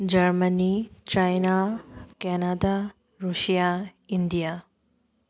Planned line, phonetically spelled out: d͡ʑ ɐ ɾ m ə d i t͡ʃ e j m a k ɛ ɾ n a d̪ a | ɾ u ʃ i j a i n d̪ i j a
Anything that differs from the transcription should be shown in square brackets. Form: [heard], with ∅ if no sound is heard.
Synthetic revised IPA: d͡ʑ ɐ ɾ m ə [n] i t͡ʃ [a] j [n] a k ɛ [∅] n a d̪ a | ɾ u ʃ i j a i n d̪ i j a